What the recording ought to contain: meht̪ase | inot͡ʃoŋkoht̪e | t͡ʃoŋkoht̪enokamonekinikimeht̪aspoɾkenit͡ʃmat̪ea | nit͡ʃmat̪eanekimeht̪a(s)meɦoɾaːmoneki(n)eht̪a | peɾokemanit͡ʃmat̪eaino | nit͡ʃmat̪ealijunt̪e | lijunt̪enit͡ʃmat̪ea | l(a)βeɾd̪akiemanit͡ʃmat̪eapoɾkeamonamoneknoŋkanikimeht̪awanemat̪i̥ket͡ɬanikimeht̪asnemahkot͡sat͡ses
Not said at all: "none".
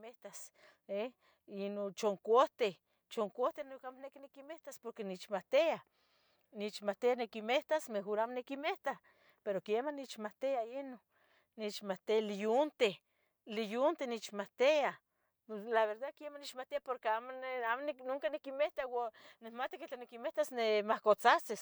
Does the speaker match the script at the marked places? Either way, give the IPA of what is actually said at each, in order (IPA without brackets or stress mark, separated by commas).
s, m, a